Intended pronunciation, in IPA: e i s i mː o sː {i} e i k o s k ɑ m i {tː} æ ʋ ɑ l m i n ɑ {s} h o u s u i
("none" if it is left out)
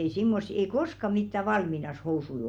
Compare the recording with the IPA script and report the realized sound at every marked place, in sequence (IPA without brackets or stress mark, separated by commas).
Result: i, tː, s